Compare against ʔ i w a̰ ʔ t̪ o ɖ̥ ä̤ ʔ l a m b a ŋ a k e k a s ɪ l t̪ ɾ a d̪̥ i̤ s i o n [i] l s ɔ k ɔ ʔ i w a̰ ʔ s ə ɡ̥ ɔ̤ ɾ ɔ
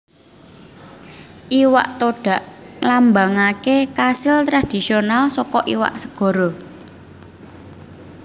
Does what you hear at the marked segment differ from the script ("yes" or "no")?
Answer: yes